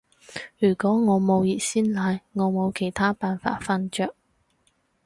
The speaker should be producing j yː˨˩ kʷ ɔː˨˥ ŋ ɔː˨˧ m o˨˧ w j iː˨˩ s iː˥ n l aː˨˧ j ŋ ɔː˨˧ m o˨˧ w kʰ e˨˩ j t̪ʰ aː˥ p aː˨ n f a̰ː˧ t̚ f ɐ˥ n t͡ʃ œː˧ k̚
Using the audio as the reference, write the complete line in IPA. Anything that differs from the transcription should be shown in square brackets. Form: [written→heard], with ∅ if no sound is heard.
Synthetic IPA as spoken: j yː˨˩ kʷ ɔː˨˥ ŋ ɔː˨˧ m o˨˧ w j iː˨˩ s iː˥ n l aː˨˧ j ŋ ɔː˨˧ m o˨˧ w kʰ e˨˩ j t̪ʰ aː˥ p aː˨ n f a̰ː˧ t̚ f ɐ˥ n t͡ʃ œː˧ k̚